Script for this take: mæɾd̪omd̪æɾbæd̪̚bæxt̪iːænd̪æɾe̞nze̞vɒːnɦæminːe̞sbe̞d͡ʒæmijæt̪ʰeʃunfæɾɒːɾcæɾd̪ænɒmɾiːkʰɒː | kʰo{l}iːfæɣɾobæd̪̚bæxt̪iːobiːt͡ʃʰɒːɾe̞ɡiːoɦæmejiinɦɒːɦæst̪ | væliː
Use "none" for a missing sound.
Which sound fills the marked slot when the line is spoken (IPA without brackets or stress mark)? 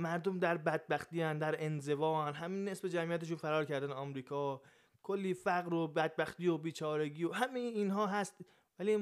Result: lː